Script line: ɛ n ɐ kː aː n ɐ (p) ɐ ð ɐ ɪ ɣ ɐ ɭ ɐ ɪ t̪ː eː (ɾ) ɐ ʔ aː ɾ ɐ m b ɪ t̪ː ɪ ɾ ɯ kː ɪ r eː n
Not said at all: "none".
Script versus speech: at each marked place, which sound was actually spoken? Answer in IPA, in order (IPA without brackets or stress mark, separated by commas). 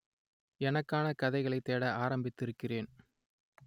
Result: k, ɽ